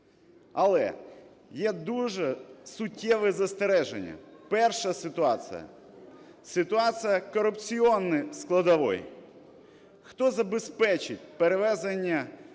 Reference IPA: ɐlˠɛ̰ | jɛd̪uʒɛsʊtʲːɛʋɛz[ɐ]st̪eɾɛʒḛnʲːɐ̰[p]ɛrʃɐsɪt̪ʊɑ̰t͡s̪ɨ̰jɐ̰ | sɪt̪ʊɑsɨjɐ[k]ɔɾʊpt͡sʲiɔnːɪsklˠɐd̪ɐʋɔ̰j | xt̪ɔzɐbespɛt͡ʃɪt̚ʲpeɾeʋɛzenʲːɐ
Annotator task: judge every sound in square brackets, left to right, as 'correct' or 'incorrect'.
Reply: correct, correct, correct

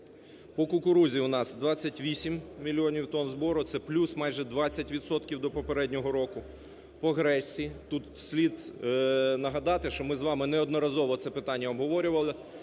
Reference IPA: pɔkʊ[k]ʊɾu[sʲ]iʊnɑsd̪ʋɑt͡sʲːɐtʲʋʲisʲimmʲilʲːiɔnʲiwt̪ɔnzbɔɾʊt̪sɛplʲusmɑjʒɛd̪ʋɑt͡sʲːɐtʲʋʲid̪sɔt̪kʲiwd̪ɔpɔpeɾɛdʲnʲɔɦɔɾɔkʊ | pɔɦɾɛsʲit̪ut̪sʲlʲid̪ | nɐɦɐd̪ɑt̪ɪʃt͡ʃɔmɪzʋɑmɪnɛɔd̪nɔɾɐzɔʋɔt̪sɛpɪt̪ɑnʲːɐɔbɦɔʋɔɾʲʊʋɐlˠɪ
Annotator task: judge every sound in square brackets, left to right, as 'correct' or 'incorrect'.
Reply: correct, incorrect: zʲ

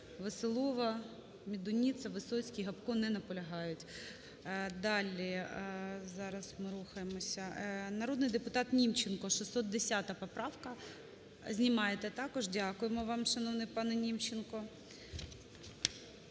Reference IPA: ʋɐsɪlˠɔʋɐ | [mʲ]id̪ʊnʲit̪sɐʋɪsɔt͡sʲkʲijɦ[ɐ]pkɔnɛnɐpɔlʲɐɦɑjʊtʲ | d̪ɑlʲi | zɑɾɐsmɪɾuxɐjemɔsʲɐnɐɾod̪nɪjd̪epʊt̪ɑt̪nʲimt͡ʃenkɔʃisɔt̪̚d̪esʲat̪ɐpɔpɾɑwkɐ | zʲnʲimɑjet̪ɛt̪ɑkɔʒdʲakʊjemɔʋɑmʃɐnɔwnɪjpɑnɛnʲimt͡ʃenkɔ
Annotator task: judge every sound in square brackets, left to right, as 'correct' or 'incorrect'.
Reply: correct, correct

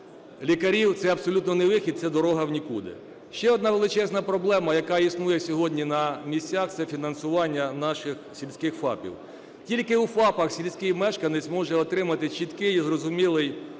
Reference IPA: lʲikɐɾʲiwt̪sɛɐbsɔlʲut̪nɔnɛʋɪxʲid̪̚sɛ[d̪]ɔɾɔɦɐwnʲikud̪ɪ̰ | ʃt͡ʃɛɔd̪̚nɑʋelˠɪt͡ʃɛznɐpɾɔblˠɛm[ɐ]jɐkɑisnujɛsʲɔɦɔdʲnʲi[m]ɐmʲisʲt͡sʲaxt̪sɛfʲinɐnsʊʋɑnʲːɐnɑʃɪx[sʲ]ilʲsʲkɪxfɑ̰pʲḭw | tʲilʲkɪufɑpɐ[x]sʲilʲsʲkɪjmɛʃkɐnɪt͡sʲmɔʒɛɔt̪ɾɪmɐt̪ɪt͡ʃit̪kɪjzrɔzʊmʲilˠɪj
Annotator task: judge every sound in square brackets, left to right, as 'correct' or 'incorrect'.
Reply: correct, correct, incorrect: n, correct, correct

